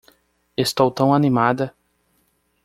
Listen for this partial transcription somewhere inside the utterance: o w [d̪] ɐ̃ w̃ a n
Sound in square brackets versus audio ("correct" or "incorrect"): incorrect